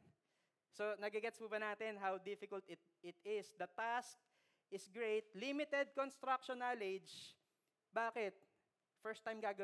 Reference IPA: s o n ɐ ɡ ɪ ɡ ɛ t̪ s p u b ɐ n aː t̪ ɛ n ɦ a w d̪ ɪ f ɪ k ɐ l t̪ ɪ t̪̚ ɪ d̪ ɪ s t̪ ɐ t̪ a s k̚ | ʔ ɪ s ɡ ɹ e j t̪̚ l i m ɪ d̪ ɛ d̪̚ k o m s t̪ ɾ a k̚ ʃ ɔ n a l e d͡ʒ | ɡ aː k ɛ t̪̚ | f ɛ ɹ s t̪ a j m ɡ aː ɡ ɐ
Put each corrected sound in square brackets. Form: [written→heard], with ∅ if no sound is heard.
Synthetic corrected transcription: s o n ɐ ɡ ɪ ɡ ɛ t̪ s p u b ɐ n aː t̪ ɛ n ɦ a w d̪ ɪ f ɪ k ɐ l t̪ ɪ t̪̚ ɪ [d̪→t̪] ɪ s [t̪→d̪] ɐ t̪ a s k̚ | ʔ ɪ s ɡ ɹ e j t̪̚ l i m ɪ [d̪→t̪] ɛ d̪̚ k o [m→n] s t̪ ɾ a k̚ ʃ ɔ n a l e d͡ʒ | [ɡ→b] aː k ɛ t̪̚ | f ɛ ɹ s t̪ a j m ɡ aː ɡ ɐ